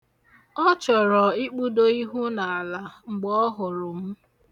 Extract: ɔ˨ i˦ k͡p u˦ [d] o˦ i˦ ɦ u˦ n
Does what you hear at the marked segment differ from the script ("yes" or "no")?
no